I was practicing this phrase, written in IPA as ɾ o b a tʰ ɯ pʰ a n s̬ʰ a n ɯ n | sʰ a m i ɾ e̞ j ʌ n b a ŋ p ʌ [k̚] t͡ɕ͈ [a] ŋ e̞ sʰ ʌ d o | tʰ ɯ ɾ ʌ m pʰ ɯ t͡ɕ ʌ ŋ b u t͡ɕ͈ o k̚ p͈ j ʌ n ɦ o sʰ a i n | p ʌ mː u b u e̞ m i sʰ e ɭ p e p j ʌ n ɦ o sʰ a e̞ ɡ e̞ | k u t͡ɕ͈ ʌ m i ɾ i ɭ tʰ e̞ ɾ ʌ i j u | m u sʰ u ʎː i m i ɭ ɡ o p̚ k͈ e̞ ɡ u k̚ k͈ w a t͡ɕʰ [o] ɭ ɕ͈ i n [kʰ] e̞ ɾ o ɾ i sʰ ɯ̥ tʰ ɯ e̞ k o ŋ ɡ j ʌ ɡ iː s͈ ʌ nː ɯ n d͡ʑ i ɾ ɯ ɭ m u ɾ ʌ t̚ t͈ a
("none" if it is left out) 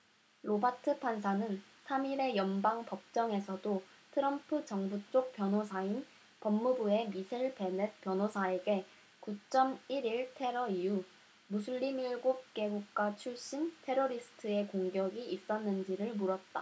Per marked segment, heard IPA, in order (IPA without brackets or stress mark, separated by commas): p̚, ʌ, u, tʰ